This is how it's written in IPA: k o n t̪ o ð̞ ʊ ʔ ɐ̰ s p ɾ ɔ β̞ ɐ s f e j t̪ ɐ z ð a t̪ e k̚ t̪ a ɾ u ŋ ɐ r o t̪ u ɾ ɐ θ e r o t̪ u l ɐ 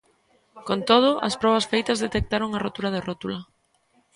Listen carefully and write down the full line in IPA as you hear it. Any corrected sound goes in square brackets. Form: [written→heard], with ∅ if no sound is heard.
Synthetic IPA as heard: k o n t̪ o ð̞ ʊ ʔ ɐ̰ s p ɾ ɔ β̞ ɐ s f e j t̪ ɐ z ð [a→e] t̪ e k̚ t̪ a ɾ [u→o] ŋ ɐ r o t̪ u ɾ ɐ [θ→ð] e r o t̪ u l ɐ